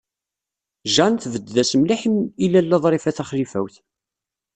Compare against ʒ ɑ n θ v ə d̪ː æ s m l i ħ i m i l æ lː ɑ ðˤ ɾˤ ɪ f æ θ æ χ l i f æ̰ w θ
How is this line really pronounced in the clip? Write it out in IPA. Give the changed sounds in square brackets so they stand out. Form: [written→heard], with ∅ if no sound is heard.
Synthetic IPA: ʒ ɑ n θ v ə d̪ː æ s m l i ħ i m i l æ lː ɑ ðˤ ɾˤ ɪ f æ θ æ χ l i f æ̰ w θ